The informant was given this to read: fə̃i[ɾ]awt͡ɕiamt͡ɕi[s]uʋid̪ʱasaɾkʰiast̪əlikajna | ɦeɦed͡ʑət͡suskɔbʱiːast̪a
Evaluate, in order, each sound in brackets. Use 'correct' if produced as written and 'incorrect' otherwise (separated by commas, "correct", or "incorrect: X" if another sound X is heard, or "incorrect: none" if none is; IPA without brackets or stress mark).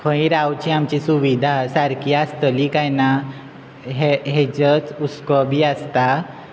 correct, correct